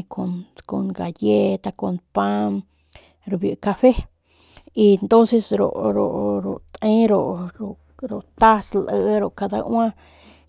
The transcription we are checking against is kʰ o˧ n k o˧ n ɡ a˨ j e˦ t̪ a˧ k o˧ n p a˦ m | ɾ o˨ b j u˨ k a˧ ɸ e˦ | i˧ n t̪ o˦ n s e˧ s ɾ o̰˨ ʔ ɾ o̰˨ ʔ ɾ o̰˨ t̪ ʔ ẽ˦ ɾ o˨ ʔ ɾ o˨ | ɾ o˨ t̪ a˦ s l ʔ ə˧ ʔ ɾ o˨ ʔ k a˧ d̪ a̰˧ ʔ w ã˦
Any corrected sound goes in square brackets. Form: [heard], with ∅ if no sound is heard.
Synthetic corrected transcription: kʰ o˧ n k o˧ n ɡ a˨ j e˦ t̪ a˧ k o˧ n p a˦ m | ɾ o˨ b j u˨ k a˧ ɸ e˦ | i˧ n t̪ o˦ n s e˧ s ɾ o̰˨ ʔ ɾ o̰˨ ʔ ɾ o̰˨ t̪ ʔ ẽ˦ ɾ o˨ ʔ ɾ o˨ | ɾ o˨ t̪ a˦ s l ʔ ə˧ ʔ ɾ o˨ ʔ k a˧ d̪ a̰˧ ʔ w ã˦